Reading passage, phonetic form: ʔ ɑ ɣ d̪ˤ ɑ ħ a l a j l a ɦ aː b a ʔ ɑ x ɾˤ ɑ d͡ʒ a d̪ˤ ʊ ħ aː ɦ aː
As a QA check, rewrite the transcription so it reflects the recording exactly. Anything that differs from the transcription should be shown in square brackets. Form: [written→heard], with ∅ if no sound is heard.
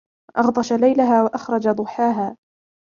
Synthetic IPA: ʔ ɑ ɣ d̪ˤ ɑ [ħ→ʃ] a l a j l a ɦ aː [b→w] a ʔ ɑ x ɾˤ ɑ d͡ʒ a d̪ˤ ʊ ħ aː ɦ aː